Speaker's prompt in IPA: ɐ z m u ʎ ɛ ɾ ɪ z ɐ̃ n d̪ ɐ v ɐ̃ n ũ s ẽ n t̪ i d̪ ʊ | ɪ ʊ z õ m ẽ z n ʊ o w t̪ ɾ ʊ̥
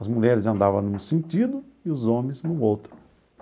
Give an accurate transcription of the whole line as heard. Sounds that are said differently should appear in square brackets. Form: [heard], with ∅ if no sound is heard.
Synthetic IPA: ɐ z m u ʎ ɛ ɾ ɪ z ɐ̃ n d̪ [a] v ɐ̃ n ũ s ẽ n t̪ i d̪ ʊ | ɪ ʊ z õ m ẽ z n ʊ o w t̪ ɾ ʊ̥